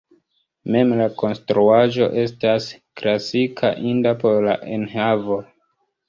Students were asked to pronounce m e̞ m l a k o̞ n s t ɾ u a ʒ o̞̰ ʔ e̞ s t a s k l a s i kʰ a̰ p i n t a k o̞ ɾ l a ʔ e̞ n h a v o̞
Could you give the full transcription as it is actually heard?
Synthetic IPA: m e̞ m l a k o̞ n s t ɾ u a ʒ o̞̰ ʔ e̞ s t a s k l a s i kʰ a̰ ʔ i n d a p o̞ ɾ l a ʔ e̞ n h a v o̞